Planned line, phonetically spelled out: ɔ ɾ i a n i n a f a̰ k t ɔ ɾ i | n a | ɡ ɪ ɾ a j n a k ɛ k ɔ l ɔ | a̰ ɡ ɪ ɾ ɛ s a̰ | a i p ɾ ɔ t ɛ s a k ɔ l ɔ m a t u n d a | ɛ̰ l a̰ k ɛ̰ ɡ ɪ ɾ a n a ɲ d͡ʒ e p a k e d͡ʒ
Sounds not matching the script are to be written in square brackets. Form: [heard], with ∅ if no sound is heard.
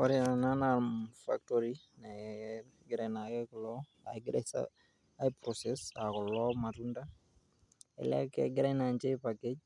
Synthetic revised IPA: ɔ ɾ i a n [a] n a f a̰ k t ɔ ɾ i | n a | ɡ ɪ ɾ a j n a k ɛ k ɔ l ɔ | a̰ ɡ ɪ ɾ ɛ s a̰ | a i p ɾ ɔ [s] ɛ s a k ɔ l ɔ m a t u n d a | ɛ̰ l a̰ k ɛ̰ ɡ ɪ ɾ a n a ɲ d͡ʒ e p a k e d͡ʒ